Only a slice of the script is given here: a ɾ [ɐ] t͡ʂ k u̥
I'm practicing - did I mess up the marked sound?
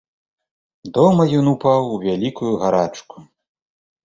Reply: yes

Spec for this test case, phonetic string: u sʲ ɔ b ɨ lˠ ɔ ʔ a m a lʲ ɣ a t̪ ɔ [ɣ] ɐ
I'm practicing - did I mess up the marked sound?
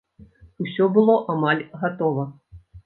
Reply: yes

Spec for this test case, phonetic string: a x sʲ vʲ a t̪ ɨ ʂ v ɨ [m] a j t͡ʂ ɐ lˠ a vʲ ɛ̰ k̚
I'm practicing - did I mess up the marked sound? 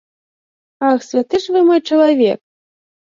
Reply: no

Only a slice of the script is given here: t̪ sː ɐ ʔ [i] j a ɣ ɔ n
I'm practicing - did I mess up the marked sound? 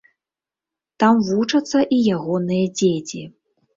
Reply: no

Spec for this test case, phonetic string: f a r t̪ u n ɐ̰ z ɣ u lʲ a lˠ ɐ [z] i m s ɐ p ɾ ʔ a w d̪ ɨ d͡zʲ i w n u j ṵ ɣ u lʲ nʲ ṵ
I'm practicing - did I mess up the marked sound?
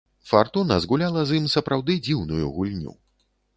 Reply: no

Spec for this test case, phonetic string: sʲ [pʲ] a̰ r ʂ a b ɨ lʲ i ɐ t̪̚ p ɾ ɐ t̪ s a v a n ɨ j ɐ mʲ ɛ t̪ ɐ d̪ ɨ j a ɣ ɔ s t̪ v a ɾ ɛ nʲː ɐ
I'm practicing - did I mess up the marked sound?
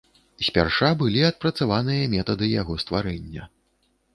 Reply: no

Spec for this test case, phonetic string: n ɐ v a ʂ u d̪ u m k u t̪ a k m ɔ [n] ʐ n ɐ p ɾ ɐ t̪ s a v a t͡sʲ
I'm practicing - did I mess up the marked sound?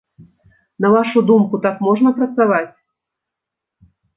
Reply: yes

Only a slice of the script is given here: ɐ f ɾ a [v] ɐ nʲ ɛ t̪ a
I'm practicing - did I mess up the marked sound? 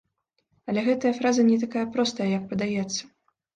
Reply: yes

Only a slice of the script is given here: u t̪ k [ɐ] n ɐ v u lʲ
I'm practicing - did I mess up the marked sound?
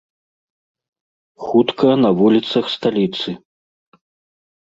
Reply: no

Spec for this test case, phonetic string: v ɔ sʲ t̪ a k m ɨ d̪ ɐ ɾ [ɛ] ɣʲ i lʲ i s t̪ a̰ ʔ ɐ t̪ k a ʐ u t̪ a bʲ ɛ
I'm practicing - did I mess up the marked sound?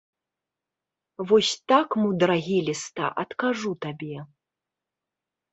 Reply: yes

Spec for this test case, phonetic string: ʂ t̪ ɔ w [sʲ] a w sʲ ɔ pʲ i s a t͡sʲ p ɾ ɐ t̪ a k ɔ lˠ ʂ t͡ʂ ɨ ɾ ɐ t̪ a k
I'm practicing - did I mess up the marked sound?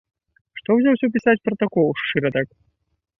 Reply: yes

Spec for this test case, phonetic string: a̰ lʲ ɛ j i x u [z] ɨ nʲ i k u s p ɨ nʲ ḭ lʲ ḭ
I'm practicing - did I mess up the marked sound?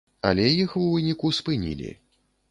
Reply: yes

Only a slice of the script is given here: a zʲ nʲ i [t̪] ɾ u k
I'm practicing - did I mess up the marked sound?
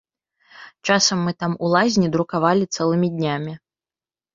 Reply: yes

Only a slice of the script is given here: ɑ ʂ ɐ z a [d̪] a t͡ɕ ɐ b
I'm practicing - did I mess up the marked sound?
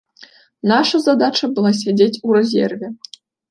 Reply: no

